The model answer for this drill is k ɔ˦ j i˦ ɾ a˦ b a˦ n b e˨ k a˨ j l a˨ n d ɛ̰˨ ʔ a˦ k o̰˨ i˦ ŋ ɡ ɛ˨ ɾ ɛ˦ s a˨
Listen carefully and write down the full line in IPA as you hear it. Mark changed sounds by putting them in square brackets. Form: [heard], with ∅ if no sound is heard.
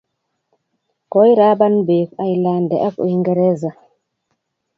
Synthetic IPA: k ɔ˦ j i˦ ɾ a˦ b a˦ n b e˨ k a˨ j l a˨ n d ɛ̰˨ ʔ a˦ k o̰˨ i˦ ŋ ɡ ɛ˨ ɾ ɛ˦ [z] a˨